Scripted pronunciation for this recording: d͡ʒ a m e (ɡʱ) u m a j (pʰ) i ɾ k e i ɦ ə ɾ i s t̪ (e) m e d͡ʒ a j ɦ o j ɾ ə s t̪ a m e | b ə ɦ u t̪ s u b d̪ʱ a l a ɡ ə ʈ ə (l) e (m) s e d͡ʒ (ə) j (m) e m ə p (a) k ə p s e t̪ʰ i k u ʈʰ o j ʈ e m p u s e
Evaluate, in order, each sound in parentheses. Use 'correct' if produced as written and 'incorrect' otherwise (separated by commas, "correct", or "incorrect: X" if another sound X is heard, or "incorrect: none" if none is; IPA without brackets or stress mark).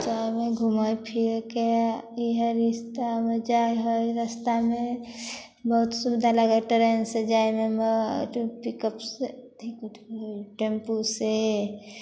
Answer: correct, correct, incorrect: a, incorrect: ɾ, incorrect: n, incorrect: a, correct, incorrect: i